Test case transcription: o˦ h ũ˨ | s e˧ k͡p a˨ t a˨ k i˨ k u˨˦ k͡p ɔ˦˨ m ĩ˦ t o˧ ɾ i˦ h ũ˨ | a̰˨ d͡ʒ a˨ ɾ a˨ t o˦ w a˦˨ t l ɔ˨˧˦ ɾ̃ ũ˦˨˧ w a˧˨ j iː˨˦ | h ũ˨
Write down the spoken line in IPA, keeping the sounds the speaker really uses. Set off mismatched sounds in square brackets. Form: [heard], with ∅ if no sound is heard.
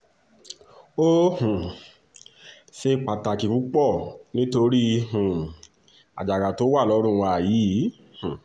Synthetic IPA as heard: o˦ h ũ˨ | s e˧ k͡p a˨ t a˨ k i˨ k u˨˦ k͡p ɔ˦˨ [n] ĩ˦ t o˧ ɾ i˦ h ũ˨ | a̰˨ d͡ʒ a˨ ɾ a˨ t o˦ w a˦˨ [∅] l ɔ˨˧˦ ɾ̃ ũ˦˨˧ w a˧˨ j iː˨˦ | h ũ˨